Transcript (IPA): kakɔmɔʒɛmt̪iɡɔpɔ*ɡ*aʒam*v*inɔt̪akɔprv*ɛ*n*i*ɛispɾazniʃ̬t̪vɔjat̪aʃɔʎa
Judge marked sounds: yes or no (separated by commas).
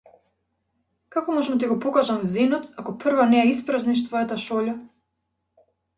no, no, no, no